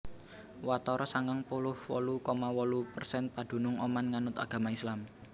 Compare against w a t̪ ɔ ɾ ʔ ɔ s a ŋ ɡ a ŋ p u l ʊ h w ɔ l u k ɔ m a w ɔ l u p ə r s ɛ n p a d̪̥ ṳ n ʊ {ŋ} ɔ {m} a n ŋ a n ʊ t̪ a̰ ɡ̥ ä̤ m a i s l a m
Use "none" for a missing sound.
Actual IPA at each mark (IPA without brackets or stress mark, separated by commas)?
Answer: ŋ, m